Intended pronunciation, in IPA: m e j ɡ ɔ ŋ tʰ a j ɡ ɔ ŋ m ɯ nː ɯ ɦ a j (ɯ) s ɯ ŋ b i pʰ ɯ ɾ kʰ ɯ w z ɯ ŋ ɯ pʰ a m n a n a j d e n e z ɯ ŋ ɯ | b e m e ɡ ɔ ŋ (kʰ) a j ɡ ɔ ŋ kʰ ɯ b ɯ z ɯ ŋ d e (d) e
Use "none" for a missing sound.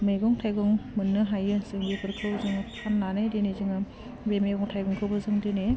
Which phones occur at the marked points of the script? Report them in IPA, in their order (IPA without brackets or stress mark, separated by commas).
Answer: ɯ, tʰ, n